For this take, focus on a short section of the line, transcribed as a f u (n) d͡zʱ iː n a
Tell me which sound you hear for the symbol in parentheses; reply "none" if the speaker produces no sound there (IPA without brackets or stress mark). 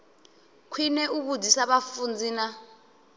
n